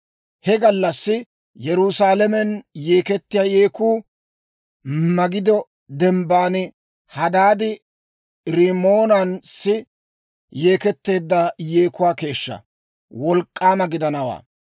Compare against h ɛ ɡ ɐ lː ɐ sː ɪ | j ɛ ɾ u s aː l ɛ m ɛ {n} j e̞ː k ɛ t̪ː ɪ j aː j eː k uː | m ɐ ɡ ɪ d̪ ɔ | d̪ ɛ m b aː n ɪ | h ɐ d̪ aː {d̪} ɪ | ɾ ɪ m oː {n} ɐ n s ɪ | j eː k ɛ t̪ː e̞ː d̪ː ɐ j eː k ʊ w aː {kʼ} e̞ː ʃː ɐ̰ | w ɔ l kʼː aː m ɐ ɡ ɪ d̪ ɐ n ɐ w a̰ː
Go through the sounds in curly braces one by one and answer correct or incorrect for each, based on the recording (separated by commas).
correct, correct, correct, incorrect